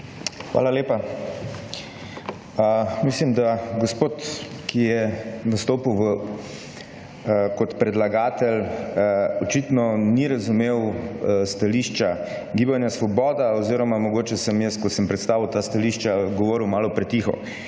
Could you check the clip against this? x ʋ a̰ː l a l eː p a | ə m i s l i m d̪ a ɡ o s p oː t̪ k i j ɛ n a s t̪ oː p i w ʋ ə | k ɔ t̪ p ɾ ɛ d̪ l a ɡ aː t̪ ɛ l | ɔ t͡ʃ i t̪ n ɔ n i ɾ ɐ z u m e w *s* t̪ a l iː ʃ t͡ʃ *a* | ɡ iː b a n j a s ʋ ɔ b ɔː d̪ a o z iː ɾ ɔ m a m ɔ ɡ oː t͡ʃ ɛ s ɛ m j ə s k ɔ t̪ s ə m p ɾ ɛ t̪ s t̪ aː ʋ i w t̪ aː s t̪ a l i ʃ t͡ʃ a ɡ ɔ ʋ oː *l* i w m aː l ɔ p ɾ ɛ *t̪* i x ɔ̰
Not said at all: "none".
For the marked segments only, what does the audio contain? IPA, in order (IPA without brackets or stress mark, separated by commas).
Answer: s, a, ɾ, t̪